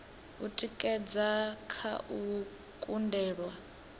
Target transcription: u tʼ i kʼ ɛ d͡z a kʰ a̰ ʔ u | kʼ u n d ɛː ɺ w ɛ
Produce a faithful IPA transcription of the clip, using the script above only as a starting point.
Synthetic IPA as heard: u tʼ i kʼ ɛ d͡z a kʰ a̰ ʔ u | kʼ u n d ɛː ɺ w a